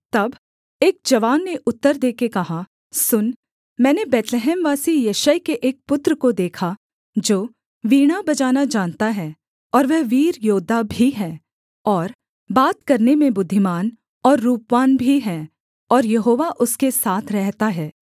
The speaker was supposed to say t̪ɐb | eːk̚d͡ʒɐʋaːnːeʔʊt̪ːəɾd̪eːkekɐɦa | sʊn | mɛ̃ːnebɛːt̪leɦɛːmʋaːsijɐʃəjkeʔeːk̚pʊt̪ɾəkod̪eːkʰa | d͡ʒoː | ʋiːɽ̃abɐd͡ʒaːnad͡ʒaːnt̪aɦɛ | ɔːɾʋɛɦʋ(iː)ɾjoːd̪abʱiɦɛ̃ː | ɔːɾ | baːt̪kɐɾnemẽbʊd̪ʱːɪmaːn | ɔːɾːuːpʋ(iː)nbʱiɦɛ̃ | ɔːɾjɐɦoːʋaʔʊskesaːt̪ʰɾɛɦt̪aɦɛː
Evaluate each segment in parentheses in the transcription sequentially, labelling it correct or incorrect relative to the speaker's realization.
correct, incorrect: aː

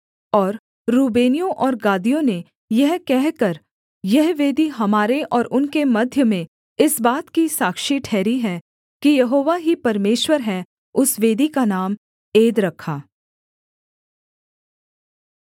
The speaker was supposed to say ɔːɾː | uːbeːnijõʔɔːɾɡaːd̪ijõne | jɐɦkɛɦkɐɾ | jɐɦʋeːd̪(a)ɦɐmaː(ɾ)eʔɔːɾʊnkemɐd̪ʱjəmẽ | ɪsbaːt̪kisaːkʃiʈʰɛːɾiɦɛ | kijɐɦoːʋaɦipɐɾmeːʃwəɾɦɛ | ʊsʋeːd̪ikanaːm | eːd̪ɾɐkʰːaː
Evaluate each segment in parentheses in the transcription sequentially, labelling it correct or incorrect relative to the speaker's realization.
incorrect: i, correct

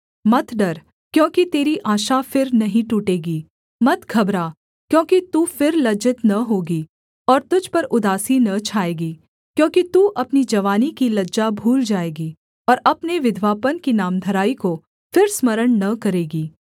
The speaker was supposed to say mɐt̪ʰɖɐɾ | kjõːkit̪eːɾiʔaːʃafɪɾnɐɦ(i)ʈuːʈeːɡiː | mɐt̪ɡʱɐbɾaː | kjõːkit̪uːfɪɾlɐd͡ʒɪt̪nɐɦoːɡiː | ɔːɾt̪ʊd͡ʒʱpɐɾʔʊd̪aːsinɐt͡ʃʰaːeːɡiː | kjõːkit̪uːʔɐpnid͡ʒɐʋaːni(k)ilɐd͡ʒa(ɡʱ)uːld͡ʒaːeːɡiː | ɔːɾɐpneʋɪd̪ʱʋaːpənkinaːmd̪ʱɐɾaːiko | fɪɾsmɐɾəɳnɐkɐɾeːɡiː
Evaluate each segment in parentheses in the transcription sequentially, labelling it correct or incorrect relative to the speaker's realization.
incorrect: ĩ, correct, incorrect: bʱ

